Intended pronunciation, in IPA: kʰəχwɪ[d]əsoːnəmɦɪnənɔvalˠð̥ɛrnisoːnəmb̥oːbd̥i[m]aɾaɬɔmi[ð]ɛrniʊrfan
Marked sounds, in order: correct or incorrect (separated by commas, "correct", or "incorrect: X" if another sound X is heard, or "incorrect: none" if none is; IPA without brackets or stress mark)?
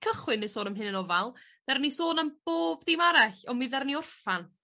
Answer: incorrect: n, correct, correct